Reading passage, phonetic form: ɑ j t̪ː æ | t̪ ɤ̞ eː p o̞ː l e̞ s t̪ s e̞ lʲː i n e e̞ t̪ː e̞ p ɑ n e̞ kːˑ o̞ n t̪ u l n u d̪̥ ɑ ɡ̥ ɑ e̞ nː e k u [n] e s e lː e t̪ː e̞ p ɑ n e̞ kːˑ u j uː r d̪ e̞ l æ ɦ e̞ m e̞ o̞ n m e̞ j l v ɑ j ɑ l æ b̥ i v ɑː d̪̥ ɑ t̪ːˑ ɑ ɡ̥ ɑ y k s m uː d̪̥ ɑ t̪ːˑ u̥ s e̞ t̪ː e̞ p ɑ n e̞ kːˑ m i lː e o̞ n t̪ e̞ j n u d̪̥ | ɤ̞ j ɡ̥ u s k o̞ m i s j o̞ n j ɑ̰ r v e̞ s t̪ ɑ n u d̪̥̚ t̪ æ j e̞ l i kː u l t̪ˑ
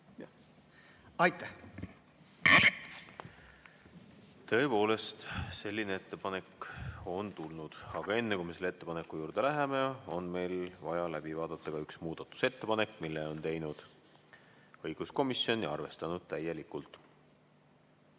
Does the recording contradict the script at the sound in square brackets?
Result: yes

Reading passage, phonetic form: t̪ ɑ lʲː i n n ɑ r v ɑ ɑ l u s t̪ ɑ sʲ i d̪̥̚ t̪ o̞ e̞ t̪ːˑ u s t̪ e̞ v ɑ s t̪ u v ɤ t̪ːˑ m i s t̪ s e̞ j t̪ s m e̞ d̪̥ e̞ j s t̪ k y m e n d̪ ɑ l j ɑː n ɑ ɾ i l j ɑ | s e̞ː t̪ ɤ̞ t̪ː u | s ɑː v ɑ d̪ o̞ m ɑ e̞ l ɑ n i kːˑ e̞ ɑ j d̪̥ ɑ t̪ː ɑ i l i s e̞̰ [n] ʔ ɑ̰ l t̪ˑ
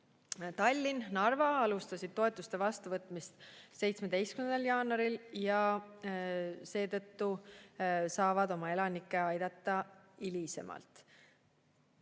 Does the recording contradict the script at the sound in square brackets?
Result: yes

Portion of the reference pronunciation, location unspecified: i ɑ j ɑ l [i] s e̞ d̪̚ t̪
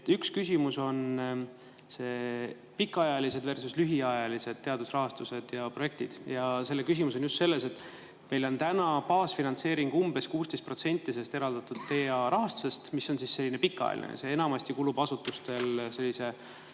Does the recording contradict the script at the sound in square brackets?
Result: no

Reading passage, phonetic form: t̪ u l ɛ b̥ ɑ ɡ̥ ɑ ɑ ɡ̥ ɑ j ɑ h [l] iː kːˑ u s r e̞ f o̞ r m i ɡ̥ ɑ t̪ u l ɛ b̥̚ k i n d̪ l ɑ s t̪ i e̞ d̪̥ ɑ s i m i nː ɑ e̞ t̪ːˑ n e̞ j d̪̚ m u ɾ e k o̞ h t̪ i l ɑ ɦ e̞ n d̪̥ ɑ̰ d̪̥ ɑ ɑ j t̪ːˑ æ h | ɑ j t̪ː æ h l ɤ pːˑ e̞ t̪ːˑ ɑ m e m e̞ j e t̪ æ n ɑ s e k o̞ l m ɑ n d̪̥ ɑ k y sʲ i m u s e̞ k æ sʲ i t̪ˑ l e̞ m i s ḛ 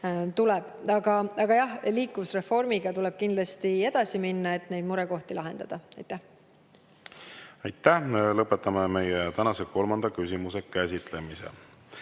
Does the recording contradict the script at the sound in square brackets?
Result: no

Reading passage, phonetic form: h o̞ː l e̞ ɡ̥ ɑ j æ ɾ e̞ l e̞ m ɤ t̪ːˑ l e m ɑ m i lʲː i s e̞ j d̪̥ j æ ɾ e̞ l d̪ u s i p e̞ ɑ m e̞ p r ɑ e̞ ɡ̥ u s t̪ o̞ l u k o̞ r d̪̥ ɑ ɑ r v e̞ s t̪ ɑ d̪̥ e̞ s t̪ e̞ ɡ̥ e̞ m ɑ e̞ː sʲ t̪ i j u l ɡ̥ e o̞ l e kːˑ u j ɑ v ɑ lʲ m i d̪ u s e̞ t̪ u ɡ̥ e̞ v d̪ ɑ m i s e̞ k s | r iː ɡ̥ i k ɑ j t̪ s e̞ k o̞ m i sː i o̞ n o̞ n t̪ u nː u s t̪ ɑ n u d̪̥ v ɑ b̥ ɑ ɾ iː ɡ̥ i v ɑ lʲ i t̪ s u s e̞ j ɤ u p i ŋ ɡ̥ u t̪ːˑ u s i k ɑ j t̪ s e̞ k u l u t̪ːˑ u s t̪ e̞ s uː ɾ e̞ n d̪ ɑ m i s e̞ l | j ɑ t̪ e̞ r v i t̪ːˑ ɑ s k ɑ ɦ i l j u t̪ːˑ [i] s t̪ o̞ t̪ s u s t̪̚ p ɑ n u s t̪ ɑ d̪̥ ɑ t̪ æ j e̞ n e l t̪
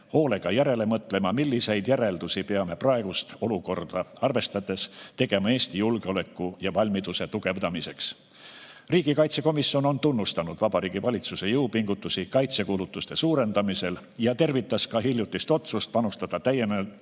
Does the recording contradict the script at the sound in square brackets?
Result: no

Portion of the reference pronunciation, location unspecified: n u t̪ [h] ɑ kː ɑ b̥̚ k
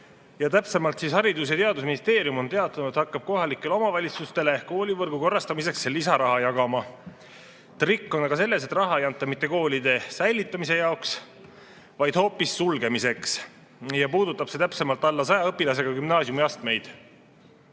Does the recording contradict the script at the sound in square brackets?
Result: no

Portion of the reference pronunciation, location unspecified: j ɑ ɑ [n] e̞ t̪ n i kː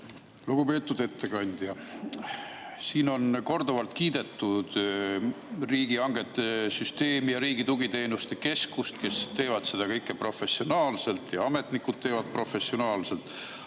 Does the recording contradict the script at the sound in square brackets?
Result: yes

